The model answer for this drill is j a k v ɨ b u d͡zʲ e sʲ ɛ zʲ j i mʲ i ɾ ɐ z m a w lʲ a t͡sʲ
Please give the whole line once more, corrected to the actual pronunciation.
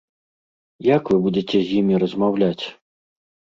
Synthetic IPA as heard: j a k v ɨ b u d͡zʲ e t͡sʲ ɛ zʲ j i mʲ i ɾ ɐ z m a w lʲ a t͡sʲ